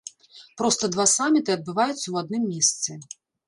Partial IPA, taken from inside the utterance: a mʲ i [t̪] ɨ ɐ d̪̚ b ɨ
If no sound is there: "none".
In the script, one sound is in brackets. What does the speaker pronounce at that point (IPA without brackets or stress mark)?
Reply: t̪